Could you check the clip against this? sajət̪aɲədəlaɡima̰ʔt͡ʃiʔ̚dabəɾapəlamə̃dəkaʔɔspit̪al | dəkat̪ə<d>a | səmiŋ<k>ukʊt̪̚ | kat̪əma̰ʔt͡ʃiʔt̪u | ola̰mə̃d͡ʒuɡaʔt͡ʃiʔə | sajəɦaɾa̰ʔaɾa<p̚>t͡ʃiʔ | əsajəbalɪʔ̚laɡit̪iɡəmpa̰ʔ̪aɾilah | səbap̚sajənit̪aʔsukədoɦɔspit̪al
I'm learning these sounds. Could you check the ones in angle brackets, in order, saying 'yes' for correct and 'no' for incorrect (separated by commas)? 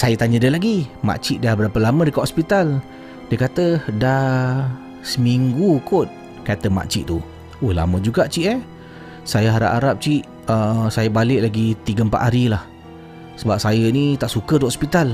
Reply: yes, no, yes